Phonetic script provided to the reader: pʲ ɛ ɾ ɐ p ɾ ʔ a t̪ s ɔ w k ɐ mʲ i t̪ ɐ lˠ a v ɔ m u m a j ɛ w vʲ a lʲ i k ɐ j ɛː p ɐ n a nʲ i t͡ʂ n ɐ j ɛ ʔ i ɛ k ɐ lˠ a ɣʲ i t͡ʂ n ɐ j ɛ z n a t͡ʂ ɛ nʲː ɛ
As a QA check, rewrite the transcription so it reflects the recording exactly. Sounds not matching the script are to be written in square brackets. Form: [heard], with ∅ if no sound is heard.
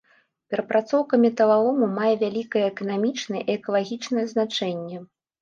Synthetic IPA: pʲ ɛ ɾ ɐ p ɾ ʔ a t̪ s ɔ w k ɐ mʲ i t̪ ɐ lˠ a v ɔ m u m a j ɛ [∅] vʲ a lʲ i k ɐ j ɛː [k] ɐ n a [mʲ] i t͡ʂ n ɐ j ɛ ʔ i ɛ k ɐ lˠ a ɣʲ i t͡ʂ n ɐ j ɛ z n a t͡ʂ ɛ nʲː ɛ